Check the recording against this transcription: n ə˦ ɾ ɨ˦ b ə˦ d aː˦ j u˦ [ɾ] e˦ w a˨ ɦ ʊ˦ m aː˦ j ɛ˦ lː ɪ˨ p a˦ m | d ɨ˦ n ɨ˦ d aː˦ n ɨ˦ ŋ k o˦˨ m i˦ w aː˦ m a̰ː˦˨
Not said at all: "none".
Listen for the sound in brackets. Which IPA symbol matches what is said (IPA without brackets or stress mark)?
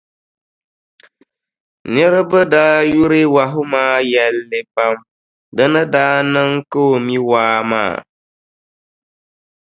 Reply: ɾ